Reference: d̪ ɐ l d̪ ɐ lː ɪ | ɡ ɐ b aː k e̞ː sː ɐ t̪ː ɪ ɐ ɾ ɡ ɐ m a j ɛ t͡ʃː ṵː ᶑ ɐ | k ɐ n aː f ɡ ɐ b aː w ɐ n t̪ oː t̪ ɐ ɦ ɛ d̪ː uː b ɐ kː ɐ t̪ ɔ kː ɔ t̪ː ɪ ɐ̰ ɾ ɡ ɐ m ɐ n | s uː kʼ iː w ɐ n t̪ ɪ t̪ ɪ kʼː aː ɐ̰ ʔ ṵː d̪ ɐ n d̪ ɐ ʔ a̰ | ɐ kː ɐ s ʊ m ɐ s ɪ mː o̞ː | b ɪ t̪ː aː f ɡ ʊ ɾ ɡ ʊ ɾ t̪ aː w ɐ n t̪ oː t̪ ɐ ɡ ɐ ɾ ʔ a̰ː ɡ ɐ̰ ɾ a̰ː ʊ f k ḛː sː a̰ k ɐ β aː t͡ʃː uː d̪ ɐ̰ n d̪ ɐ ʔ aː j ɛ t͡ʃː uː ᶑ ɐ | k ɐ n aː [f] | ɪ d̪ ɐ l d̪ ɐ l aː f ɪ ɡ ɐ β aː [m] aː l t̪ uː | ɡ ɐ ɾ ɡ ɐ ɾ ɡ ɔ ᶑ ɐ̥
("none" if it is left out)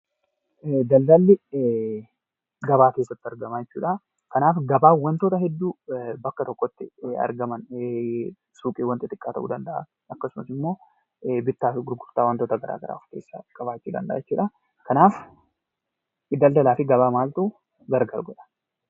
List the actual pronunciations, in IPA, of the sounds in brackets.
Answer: f, m

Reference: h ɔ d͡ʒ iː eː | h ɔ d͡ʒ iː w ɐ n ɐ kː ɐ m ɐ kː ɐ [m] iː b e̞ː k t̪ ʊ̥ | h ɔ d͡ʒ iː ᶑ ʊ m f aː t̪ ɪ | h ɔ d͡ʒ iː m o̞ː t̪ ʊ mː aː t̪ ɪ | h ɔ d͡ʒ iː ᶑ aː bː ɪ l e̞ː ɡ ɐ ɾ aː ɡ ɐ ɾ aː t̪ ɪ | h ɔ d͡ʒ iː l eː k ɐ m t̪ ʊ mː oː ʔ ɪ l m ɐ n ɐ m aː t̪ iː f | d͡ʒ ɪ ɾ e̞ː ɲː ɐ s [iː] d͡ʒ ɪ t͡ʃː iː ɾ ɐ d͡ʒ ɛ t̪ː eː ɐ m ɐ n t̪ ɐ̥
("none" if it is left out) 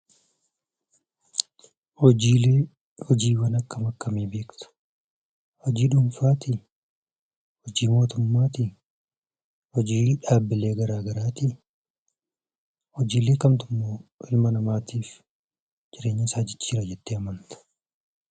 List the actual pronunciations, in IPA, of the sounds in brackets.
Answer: m, aː

